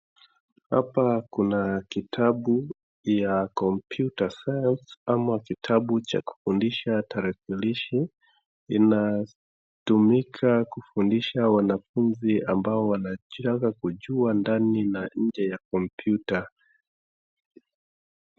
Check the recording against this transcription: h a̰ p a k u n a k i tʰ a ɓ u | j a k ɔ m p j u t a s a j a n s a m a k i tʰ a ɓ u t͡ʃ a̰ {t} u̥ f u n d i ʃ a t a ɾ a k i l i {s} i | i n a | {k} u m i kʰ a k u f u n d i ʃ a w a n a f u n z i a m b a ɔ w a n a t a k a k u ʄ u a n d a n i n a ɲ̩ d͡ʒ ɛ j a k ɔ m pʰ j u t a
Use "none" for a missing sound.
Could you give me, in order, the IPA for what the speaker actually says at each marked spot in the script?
k, ʃ, t

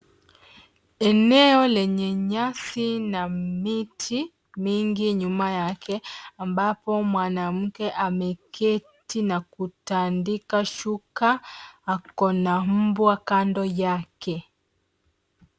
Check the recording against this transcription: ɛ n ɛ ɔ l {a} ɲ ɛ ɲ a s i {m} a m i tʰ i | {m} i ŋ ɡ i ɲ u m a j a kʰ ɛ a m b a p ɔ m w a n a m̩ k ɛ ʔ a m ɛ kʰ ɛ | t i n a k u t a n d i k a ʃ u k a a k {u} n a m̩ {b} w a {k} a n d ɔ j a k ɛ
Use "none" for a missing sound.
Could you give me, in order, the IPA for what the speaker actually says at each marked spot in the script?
ɛ, n, m, ɔ, b, k

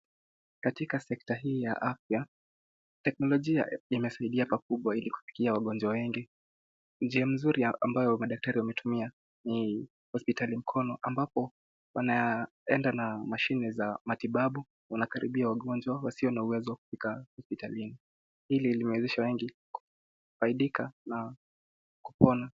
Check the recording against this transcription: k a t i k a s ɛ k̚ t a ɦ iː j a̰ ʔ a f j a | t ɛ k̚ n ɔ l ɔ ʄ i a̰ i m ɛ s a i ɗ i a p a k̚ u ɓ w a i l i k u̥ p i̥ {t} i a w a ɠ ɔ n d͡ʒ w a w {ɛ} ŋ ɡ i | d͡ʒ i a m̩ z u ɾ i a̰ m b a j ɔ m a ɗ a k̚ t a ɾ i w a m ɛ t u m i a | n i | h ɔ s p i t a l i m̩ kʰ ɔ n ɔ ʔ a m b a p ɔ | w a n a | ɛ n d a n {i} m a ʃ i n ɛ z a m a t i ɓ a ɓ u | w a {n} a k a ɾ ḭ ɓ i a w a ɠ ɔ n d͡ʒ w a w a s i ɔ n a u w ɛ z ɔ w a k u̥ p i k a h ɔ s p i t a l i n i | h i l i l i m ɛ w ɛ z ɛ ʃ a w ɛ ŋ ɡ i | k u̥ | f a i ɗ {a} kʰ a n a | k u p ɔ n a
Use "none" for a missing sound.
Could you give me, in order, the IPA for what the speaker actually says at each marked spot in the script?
k, ɛ, a, n, i

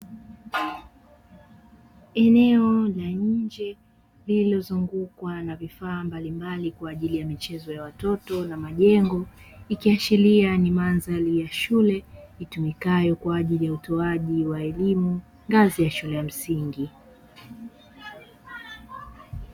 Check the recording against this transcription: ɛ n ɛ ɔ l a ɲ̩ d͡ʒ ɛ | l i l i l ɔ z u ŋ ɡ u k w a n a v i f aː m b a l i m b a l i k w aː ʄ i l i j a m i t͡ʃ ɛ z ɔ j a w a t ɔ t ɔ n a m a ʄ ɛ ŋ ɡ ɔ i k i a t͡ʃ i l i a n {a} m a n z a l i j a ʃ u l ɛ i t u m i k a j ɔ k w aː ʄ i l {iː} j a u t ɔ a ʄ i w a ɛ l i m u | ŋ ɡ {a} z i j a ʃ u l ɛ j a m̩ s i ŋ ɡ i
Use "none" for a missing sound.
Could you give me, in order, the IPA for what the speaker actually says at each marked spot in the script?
i, i, a

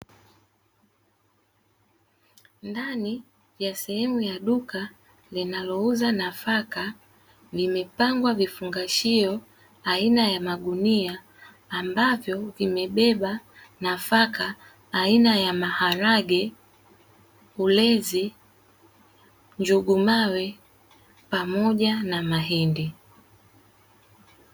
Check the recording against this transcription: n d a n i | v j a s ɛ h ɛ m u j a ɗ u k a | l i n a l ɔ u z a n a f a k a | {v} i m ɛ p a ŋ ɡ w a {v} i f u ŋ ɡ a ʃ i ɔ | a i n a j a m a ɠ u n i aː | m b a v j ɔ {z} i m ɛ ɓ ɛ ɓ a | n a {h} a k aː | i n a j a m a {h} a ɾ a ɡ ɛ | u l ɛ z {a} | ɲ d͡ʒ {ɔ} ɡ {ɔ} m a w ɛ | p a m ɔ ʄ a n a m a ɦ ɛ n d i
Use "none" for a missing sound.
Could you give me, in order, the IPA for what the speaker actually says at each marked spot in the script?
v, v, v, f, h, i, u, u

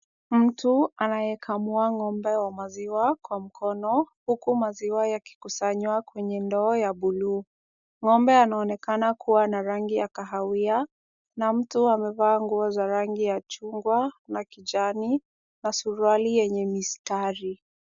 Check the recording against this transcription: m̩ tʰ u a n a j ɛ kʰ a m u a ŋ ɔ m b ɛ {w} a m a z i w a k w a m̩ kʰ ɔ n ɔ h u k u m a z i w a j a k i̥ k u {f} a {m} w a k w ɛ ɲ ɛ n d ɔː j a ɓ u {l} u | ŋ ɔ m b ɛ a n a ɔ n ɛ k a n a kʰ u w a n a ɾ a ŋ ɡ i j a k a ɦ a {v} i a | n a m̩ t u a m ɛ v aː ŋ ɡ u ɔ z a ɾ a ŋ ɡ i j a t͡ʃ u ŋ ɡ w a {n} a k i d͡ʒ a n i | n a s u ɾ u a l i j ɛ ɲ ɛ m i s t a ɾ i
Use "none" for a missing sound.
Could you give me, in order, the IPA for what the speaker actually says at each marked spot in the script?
w, s, ɲ, l, w, n

